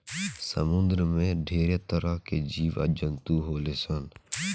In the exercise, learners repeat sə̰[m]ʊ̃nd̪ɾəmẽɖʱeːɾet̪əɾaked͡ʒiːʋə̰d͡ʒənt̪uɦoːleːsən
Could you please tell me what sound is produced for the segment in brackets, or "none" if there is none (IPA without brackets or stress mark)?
m